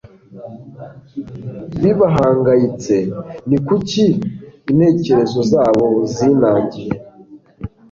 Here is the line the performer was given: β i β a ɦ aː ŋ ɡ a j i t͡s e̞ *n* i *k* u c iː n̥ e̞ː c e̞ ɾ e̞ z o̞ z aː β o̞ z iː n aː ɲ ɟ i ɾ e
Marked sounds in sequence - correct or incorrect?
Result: correct, correct

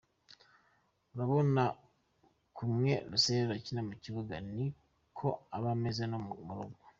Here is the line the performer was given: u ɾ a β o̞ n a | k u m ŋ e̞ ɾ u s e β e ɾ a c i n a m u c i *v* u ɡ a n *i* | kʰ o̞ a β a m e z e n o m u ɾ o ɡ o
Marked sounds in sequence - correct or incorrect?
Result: incorrect: β, correct

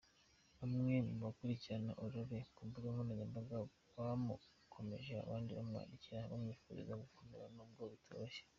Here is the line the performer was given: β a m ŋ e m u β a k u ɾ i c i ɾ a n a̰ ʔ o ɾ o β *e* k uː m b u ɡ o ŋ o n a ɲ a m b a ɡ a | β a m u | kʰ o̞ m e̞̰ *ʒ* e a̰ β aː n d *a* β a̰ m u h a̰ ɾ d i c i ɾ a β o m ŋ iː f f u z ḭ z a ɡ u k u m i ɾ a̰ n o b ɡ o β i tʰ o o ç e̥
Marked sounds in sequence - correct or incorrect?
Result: correct, correct, incorrect: i

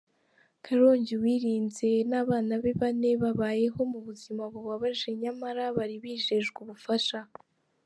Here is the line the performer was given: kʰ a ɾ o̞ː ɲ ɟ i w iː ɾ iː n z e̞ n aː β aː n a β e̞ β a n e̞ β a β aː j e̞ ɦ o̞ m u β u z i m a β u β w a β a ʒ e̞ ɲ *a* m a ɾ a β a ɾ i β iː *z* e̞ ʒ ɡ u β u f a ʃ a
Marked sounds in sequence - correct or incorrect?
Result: correct, incorrect: ʒ

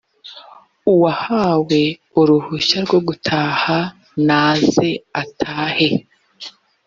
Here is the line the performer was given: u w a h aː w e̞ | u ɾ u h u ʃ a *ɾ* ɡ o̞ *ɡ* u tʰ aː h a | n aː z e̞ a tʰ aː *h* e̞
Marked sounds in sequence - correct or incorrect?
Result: correct, correct, correct

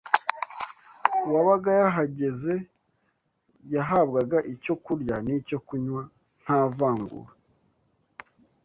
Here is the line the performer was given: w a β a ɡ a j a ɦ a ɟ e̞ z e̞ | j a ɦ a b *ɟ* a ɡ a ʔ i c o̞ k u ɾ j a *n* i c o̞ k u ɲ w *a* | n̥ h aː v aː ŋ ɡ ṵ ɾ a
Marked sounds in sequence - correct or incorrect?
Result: incorrect: ɡ, correct, correct

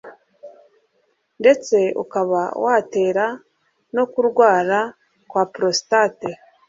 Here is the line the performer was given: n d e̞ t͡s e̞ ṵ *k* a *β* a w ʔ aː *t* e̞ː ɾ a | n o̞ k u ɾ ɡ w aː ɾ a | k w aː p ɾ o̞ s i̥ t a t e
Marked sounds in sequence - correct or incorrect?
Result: correct, correct, correct

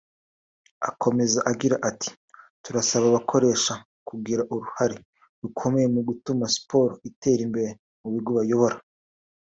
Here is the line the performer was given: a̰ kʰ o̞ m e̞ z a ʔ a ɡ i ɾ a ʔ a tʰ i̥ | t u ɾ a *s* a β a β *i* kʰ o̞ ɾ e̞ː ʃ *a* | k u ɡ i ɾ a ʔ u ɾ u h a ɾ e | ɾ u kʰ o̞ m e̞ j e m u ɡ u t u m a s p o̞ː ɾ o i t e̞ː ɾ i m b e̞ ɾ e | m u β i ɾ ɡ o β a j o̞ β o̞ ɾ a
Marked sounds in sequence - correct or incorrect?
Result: correct, incorrect: a, correct

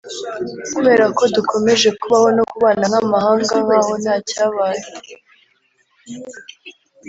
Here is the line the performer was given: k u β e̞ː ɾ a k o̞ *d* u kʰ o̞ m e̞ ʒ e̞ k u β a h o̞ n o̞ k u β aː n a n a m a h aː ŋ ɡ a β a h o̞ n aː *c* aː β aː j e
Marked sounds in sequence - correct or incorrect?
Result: correct, correct

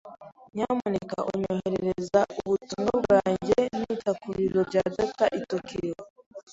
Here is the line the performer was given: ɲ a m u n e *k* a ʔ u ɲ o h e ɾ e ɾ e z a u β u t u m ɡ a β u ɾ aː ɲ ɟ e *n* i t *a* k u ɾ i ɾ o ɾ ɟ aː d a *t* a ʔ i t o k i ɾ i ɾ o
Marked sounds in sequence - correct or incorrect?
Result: correct, correct, correct, correct

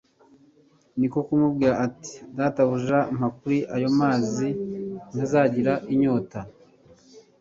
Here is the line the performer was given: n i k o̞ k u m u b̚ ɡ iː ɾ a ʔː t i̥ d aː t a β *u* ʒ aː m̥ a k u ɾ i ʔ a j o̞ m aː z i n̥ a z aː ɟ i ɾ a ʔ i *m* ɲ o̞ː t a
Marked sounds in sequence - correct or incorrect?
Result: correct, incorrect: none

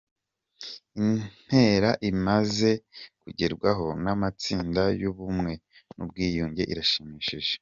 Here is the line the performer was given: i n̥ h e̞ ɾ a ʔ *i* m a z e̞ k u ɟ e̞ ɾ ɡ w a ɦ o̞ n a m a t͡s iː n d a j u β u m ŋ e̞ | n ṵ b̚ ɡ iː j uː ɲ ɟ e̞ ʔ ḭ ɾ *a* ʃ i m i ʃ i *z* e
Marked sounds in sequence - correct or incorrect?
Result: correct, correct, incorrect: ʒ

